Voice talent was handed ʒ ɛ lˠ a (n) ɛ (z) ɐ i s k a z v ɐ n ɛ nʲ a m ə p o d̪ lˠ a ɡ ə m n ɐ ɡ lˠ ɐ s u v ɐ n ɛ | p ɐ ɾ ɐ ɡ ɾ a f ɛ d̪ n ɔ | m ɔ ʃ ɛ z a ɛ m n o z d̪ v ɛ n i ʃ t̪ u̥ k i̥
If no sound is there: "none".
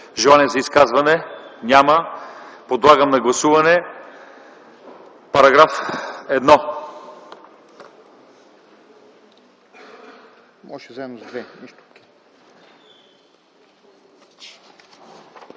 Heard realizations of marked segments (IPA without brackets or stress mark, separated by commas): n, z